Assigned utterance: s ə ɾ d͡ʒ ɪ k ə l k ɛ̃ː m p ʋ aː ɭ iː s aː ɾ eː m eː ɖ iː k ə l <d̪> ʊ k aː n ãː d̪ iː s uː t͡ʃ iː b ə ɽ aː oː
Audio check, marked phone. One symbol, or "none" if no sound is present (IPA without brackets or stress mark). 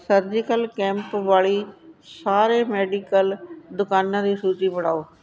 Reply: d̪